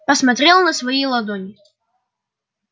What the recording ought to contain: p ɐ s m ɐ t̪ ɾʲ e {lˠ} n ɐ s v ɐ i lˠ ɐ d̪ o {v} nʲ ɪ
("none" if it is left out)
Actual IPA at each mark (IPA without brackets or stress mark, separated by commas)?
lˠ, none